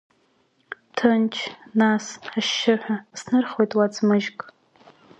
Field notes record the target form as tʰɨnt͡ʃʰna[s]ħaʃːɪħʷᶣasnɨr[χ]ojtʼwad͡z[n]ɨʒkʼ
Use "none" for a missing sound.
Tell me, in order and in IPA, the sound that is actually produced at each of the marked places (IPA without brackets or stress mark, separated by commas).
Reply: s, χ, m